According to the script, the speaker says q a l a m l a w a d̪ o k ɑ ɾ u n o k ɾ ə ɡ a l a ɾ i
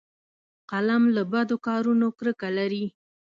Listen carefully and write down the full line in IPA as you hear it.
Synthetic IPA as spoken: q a l a m l a b a d̪ o k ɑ ɾ u n o k ɾ ə k a l a ɾ i